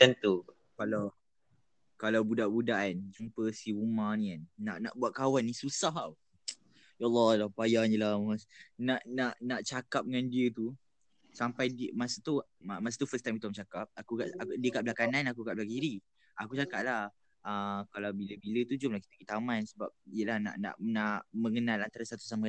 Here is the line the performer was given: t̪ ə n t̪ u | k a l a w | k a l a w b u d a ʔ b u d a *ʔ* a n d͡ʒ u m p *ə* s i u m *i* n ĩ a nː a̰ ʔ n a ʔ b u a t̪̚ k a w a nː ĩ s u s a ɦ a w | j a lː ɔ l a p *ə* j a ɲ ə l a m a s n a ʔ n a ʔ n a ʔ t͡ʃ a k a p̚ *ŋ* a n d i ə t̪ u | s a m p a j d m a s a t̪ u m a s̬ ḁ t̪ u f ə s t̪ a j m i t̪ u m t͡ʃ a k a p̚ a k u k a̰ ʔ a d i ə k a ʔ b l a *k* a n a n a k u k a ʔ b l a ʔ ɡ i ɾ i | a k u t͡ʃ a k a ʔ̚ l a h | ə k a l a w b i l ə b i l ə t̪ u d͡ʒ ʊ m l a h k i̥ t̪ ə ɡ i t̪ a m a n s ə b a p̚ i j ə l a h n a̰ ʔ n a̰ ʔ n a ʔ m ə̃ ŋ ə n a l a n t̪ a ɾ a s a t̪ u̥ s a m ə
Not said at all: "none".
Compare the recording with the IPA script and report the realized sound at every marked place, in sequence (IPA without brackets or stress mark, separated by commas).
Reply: ʔ, ə, a, a, ŋ, k